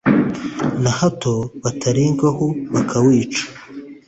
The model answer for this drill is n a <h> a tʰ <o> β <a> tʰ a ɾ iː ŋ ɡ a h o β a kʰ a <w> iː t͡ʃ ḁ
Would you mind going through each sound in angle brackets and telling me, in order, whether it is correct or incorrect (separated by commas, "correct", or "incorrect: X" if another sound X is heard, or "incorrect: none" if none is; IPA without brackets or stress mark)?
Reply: correct, correct, correct, correct